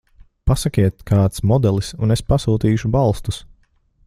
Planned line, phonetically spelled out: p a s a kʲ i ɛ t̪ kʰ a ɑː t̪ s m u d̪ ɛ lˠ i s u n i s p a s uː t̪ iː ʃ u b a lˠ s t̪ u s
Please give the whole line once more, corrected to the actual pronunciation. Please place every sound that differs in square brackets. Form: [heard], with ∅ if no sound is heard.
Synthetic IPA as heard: p a s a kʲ i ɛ t̪ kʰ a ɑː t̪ s m [ɔ] d̪ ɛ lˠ i s u n [e] s p a s uː t̪ iː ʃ u b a lˠ s t̪ u s